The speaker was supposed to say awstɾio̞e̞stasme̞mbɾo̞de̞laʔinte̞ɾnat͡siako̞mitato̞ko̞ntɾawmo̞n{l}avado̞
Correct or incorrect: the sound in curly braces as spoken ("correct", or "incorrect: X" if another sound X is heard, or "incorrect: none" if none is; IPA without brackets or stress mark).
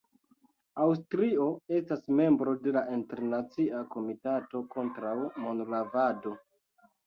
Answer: correct